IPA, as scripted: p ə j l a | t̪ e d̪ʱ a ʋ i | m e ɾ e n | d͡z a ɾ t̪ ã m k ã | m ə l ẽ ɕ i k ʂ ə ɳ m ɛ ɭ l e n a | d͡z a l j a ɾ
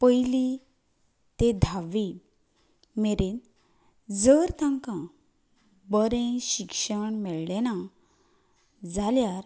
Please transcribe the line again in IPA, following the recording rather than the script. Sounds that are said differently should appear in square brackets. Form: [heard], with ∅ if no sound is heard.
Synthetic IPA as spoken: p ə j l [i] | t̪ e d̪ʱ a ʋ i | m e ɾ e n | d͡z [ə] ɾ t̪ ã [ŋ] k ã | [b] ə [ɾ] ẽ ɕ i k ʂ ə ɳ m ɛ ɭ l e n a | d͡z a l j a ɾ